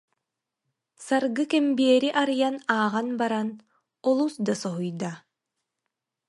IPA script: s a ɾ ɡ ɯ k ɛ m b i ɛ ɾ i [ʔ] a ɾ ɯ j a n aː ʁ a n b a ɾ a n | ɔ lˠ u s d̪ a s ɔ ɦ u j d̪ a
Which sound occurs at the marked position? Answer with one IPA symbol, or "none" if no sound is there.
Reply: ʔ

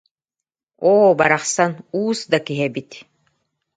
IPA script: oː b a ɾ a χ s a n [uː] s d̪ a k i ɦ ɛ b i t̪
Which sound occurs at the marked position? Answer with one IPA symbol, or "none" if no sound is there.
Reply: uː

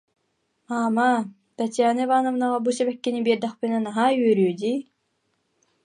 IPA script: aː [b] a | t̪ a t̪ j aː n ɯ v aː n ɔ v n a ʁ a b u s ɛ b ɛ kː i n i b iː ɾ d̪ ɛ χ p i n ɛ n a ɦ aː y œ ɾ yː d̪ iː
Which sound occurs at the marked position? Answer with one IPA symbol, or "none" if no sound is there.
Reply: m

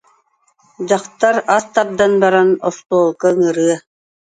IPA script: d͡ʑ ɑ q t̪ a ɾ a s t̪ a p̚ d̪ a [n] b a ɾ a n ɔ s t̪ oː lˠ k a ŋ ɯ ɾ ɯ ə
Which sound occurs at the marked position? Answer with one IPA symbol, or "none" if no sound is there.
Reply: n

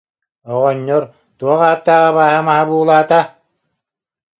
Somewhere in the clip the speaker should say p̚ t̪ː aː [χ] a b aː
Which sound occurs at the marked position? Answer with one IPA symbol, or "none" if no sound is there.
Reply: ʁ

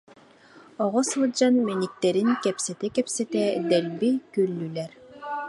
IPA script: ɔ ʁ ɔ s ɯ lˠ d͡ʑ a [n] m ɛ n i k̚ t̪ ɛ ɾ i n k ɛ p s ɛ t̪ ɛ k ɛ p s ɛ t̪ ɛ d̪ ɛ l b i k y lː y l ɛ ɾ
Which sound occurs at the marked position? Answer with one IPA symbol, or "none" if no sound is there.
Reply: n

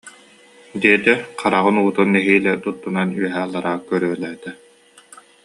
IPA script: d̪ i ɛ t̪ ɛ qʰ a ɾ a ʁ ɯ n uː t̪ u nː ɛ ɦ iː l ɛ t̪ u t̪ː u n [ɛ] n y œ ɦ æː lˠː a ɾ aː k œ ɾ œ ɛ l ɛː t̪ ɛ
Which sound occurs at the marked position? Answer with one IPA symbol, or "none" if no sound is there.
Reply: a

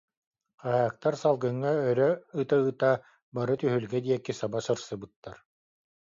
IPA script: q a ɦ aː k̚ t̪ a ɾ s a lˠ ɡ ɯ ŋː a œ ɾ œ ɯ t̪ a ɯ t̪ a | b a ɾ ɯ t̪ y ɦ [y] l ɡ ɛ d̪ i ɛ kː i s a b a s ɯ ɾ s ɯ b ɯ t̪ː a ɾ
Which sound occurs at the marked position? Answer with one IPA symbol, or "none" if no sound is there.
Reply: y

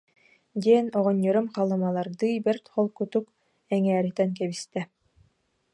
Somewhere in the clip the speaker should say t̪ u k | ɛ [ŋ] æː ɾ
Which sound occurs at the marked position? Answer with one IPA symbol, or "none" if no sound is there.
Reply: ŋ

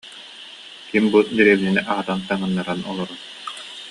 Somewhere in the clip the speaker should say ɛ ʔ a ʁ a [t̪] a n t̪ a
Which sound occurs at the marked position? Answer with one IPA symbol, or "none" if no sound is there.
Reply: t̪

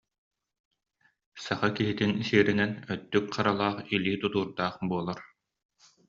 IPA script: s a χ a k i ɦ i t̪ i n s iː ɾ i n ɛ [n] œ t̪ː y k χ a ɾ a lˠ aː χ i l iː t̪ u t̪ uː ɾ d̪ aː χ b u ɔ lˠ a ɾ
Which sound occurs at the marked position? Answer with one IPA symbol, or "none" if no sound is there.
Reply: n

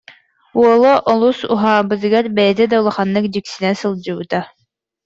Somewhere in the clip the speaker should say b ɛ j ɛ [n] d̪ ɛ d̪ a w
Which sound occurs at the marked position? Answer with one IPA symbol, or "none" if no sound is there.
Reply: none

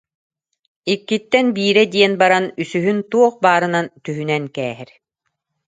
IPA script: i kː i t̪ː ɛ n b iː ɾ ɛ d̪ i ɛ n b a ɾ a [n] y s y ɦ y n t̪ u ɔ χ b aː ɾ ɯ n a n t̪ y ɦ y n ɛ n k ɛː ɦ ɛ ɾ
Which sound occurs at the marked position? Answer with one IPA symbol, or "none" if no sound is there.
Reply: n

